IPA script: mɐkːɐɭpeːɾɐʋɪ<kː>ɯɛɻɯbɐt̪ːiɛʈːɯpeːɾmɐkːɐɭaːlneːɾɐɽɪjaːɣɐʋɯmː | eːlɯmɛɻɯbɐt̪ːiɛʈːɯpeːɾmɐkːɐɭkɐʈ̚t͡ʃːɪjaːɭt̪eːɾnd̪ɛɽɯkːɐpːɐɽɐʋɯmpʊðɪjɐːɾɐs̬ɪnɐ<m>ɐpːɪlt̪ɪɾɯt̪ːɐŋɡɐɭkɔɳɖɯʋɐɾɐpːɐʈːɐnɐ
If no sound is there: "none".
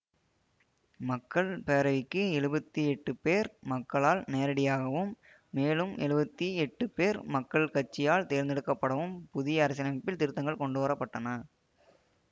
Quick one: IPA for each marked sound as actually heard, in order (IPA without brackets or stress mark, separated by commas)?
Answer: kː, m